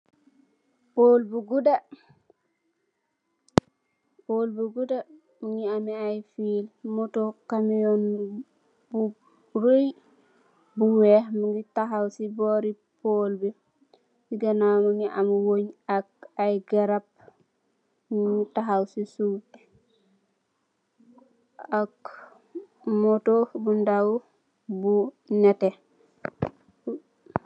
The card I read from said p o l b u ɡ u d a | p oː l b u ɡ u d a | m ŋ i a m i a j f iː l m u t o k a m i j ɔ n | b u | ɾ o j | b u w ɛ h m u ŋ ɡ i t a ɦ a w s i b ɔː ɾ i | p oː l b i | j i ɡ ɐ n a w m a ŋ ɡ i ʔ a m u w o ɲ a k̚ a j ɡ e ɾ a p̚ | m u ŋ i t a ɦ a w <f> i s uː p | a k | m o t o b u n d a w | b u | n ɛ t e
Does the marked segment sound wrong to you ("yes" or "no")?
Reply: yes